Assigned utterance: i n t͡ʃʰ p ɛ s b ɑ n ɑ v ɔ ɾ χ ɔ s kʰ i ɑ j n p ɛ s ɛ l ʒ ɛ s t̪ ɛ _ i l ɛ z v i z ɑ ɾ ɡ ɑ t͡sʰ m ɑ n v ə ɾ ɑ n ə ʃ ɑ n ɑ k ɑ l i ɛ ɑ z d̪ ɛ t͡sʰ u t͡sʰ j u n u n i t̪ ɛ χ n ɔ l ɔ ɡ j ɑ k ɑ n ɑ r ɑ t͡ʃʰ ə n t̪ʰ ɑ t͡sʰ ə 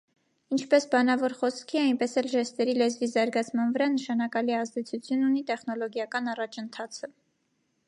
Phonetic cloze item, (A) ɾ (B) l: A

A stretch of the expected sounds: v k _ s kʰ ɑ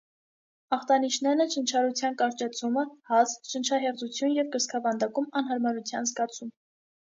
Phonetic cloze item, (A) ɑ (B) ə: B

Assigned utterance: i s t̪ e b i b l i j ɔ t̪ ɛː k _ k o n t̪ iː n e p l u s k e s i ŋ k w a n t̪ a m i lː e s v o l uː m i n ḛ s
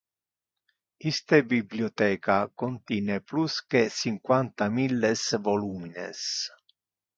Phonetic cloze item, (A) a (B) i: A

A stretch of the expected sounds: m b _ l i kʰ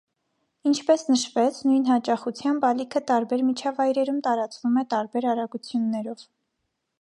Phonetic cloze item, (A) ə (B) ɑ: B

